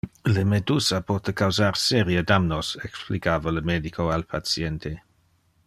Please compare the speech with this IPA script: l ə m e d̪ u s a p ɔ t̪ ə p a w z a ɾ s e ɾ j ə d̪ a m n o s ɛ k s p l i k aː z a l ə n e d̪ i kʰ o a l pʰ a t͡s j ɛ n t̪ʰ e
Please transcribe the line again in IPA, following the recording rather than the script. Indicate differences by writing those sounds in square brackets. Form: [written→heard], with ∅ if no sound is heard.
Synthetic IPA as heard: l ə m e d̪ u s a p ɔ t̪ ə [p→k] a w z a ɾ s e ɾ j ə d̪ a m n o s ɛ k s p l i k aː [z→v] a l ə [n→m] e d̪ i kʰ o a l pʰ a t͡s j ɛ n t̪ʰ e